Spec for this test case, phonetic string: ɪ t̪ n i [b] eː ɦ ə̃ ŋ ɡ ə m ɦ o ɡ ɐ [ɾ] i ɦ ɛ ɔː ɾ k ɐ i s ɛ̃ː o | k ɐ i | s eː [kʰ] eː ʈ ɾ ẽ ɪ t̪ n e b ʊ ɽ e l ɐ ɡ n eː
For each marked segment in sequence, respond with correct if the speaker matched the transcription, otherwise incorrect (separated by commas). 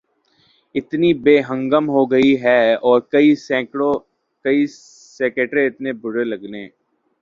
correct, incorrect, incorrect